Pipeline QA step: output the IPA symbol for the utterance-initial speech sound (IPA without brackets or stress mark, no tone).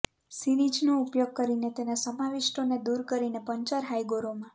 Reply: s